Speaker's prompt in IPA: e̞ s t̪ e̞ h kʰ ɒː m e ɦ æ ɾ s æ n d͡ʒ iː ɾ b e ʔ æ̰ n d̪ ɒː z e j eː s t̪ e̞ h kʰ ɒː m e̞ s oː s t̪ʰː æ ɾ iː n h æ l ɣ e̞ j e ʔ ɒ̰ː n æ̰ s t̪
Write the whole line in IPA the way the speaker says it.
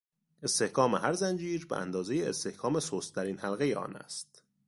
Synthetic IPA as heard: e̞ s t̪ e̞ h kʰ ɒː m e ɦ æ ɾ z æ n d͡ʒ iː ɾ b e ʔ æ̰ n d̪ ɒː z e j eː s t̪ e̞ h kʰ ɒː m e̞ s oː s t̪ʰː æ ɾ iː n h æ l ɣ e̞ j e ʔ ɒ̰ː n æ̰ s t̪